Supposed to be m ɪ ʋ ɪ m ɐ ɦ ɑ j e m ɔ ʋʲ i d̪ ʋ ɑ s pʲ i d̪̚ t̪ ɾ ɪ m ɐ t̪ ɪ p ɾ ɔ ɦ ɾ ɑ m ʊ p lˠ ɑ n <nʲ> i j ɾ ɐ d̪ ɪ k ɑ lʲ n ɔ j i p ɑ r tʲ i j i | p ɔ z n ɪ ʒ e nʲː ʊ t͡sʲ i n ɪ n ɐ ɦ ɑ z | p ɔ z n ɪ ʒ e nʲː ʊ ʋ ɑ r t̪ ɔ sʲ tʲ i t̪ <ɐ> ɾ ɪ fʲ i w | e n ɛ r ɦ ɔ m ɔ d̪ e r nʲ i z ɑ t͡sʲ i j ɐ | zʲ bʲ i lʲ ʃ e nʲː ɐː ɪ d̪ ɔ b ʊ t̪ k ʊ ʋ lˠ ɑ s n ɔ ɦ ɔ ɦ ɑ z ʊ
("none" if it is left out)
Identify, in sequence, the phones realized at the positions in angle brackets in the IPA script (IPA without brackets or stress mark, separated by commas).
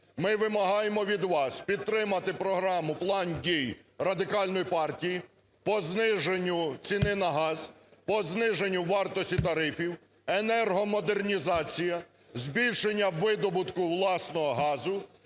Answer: dʲ, ɐ